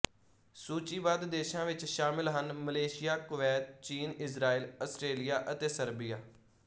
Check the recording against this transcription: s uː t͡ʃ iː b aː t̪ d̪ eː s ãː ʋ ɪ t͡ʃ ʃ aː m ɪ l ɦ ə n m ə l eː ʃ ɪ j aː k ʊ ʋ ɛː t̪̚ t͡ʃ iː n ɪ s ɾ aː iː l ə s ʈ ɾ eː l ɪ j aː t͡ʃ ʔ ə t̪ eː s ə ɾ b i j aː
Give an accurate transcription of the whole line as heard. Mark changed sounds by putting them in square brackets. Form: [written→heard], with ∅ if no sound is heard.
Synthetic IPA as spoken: s uː t͡ʃ iː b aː [t̪→d̪] d̪ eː [s→ʃ] ãː ʋ ɪ t͡ʃ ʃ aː m ɪ l ɦ ə n m ə l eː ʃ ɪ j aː k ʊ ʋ ɛː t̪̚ t͡ʃ iː n ɪ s ɾ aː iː l ə s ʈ ɾ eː l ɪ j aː [t͡ʃ→∅] ʔ ə t̪ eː s ə ɾ b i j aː